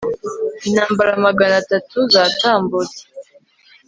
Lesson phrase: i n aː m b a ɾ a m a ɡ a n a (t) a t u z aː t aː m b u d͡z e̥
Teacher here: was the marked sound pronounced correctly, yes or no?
yes